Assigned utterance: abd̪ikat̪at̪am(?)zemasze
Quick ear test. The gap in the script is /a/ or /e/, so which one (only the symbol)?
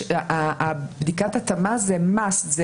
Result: a